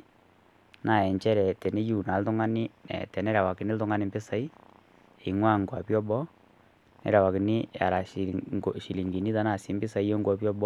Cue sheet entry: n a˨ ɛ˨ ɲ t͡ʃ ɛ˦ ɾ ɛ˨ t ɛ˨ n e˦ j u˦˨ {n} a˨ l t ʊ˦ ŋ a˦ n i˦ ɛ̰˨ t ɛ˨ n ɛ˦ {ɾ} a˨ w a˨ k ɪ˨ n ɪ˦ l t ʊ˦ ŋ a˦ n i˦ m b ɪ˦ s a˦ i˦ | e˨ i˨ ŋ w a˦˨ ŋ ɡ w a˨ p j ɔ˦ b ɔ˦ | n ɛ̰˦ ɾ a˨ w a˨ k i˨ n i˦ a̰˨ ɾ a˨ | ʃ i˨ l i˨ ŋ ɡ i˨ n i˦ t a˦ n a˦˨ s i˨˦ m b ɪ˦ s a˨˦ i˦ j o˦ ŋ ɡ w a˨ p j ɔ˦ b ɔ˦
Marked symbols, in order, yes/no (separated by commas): yes, yes